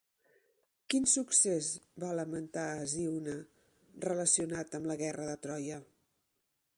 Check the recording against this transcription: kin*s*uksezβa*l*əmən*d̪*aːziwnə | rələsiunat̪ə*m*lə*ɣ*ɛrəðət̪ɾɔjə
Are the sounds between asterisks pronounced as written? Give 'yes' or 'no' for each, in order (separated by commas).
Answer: yes, yes, no, yes, yes